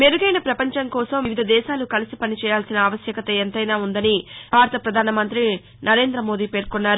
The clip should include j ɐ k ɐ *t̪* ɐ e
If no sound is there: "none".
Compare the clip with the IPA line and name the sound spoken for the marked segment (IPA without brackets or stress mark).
t̪